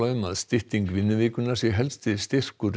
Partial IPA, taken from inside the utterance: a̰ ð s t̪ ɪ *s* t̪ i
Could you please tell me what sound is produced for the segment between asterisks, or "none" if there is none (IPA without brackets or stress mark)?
h